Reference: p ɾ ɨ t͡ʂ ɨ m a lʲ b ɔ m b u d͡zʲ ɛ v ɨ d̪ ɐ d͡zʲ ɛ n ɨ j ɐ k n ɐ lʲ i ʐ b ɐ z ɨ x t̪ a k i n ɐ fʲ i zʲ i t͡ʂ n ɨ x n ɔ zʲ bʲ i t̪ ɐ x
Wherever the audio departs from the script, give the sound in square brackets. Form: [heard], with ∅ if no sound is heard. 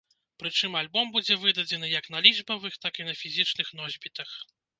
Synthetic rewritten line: p ɾ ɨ t͡ʂ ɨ m a lʲ b ɔ m b u d͡zʲ ɛ v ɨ d̪ ɐ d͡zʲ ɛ n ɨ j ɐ k n ɐ lʲ i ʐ b ɐ [v] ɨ x t̪ a k i n ɐ fʲ i zʲ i t͡ʂ n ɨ x n ɔ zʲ bʲ i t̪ ɐ x